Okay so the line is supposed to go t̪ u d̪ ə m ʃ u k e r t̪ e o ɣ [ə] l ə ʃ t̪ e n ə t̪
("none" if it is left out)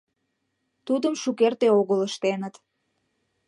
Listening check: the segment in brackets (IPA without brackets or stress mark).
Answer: ə